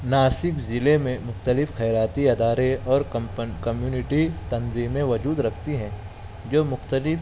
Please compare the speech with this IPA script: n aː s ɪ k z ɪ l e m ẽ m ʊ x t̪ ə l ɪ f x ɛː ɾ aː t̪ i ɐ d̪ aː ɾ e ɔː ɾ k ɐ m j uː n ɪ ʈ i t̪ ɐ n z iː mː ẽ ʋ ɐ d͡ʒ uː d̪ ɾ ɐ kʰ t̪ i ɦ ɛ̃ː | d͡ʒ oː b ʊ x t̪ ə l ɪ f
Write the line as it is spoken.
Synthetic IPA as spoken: n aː s ɪ k z ɪ l e m ẽ m ʊ x t̪ ə l ɪ f x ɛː ɾ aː t̪ i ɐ d̪ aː ɾ e ɔː ɾ k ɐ m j uː n ɪ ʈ i t̪ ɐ n z iː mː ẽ ʋ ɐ d͡ʒ uː d̪ ɾ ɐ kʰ t̪ i ɦ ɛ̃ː | d͡ʒ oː m ʊ x t̪ ə l ɪ f